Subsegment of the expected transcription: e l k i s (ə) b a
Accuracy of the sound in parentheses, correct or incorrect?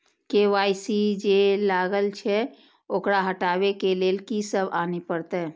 correct